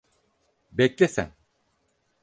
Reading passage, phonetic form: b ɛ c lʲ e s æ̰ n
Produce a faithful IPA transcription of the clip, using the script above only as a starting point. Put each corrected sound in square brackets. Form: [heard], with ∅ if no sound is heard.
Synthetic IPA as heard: b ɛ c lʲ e s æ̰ n